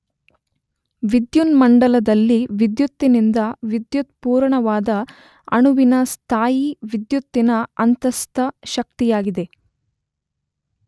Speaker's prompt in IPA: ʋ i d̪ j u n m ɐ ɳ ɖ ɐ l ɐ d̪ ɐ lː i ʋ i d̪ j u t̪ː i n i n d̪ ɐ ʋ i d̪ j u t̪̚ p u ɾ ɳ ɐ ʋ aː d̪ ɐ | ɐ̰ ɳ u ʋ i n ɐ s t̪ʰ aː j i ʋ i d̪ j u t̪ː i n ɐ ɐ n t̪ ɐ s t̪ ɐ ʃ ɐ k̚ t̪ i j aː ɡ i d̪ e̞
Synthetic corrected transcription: ʋ i d̪ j u n m ɐ ɳ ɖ ɐ l ɐ d̪ ɐ lː i ʋ i d̪ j u t̪ː i n i n d̪ ɐ ʋ i d̪ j u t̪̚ p uː ɾ ɳ ɐ ʋ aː d̪ ɐ | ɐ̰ ɳ u ʋ i n ɐ s t̪ʰ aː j i ʋ i d̪ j u t̪ː i n ɐ ɐ n t̪ ɐ s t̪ ɐ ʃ ɐ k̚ t̪ i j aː ɡ i d̪ e̞